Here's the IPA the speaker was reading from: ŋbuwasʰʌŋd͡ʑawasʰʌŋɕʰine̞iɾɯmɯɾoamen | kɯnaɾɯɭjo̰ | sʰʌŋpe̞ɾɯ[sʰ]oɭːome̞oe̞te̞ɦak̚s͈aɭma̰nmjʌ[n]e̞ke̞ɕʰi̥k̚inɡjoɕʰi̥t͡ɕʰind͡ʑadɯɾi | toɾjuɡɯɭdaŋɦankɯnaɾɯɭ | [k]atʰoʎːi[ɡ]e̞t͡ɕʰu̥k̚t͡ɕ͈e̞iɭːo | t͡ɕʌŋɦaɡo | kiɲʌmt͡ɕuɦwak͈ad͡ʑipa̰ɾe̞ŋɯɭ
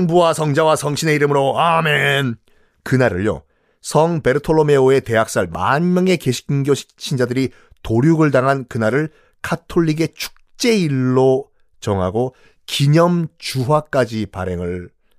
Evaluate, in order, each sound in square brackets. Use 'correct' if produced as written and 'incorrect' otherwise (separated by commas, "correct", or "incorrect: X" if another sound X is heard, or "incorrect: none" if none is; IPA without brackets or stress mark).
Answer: incorrect: tʰ, incorrect: ŋ, incorrect: kʰ, correct